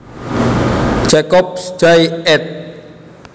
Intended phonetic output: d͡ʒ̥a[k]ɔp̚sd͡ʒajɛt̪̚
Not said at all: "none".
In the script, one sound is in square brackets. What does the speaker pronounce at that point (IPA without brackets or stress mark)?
k